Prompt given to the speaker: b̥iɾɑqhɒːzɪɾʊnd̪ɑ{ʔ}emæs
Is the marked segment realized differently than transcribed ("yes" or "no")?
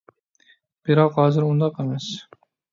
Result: yes